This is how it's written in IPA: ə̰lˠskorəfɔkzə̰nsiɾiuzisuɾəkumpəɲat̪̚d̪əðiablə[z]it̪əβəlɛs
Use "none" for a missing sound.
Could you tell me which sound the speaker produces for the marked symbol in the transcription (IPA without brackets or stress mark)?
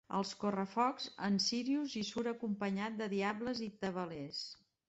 z